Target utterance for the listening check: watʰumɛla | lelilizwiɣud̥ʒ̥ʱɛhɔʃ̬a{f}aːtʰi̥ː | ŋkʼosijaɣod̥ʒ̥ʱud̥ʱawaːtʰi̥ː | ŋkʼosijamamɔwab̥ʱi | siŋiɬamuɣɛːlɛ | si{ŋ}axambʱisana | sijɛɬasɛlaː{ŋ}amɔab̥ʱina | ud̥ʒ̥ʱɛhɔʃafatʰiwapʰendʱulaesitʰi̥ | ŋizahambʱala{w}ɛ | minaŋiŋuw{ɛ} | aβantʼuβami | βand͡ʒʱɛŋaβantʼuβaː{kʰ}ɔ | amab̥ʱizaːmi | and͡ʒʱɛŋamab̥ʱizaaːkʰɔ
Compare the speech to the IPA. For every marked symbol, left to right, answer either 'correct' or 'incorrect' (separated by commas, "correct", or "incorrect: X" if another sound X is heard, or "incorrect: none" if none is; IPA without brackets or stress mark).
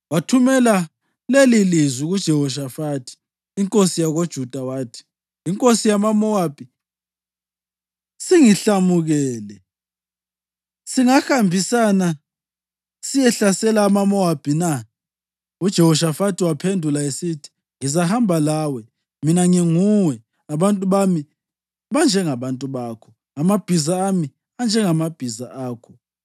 correct, correct, incorrect: m, correct, correct, correct